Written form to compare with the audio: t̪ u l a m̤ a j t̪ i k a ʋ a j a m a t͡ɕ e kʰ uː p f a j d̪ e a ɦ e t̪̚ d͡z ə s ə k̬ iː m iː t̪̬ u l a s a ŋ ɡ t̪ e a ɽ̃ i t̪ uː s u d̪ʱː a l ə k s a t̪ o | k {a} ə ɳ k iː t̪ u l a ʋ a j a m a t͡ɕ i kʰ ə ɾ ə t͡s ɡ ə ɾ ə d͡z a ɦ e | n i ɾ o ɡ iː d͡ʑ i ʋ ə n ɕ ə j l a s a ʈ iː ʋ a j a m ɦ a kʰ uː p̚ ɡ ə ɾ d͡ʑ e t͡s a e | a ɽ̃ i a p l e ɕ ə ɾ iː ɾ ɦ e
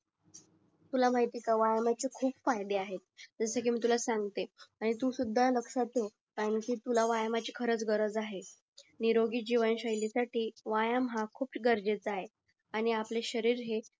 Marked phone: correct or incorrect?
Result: correct